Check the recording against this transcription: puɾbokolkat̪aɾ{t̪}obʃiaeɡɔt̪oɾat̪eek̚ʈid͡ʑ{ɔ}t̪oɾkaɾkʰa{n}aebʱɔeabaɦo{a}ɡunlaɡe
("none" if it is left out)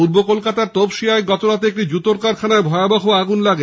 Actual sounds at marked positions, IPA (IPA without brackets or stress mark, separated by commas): t̪, u, n, a